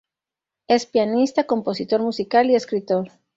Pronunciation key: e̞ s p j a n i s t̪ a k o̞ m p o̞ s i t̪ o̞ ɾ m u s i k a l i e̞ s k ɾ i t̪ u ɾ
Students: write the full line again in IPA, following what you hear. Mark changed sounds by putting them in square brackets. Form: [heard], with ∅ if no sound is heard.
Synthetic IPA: e̞ s p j a n i s t̪ a k o̞ m p o̞ s i t̪ o̞ ɾ m u s i k a l i e̞ s k ɾ i t̪ [o] ɾ